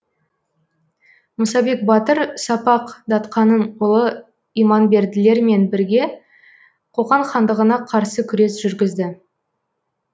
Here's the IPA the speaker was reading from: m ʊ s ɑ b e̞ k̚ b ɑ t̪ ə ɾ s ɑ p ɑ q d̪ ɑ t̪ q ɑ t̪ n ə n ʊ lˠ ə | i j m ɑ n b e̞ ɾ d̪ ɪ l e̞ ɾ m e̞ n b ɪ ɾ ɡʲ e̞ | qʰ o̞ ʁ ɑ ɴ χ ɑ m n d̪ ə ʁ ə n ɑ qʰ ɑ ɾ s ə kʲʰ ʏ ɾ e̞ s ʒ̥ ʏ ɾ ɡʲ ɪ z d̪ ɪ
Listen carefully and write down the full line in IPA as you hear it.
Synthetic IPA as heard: m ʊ s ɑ b e̞ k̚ b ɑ t̪ ə ɾ s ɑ p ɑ q d̪ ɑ t̪ q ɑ n ə n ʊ lˠ ə | i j m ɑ n b e̞ ɾ d̪ ɪ l e̞ ɾ m e̞ n b ɪ ɾ ɡʲ e̞ | qʰ o̞ ʁ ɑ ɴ χ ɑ n d̪ ə ʁ ə n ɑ qʰ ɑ ɾ s ə kʲʰ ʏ ɾ e̞ s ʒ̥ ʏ ɾ ɡʲ ɪ z d̪ ɪ